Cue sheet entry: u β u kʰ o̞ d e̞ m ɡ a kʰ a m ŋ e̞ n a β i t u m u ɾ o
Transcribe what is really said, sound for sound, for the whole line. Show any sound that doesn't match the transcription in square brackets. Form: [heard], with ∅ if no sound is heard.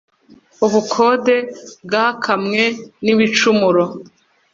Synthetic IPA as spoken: u β u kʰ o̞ d e̞ [b] ɡ a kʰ a m ŋ e̞ n [i] β i [t͡ʃ] u m u ɾ o